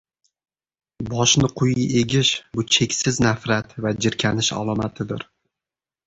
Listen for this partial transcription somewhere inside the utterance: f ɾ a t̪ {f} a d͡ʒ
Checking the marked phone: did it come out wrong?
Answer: yes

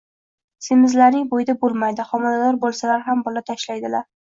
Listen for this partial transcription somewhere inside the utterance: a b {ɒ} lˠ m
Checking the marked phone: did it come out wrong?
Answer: yes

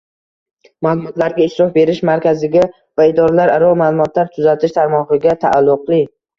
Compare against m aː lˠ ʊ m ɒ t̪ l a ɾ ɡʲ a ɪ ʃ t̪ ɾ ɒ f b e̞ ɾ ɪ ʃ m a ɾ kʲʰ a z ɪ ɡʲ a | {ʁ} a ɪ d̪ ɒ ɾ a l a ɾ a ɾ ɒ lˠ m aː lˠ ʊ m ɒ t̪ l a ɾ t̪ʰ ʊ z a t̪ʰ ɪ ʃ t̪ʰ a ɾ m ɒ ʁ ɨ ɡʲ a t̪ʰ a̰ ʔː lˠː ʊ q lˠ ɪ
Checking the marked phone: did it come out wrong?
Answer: yes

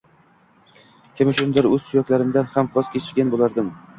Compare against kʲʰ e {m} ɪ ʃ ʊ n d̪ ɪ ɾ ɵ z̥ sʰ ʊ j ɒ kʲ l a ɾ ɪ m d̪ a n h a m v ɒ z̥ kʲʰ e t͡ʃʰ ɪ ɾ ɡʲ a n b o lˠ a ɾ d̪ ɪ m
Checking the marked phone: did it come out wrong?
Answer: no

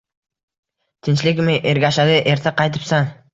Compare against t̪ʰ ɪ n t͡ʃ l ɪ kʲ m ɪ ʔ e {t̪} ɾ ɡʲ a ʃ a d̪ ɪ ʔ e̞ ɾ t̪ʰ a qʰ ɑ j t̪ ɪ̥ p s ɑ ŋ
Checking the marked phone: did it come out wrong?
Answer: yes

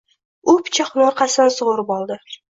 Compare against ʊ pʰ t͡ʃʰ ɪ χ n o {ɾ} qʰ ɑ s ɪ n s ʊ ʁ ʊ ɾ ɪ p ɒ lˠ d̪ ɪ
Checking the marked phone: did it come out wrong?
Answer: no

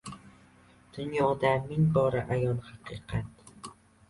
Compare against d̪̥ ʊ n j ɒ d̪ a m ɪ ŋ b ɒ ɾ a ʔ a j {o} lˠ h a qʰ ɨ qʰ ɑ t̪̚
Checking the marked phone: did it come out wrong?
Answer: yes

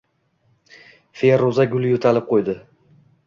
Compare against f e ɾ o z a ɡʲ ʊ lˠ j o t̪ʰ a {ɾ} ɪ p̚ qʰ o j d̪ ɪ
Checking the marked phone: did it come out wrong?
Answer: yes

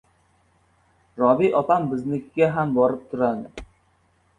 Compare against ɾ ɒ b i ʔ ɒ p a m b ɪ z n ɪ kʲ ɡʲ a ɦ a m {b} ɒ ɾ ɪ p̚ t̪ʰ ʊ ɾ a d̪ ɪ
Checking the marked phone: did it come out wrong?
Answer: no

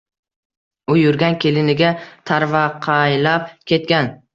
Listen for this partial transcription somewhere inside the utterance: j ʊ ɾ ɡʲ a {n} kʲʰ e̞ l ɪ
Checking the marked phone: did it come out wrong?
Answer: no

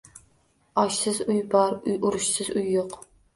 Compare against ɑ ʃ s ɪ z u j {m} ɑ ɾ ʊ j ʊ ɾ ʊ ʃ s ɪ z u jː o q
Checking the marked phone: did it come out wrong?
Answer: yes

